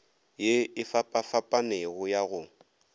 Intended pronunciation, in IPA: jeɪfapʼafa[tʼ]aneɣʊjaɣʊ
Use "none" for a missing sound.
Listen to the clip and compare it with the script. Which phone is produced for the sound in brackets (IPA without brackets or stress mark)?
pʼ